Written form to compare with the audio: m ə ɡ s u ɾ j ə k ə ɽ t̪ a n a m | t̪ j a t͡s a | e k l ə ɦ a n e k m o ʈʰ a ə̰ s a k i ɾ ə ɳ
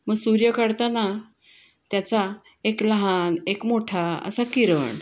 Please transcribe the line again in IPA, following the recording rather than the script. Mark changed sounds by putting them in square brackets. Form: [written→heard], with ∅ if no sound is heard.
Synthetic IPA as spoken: m ə ɡ s u ɾ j ə k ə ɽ t̪ a n a [m→∅] | t̪ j a t͡s a | e k l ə ɦ a n e k m o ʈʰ a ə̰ s a k i ɾ ə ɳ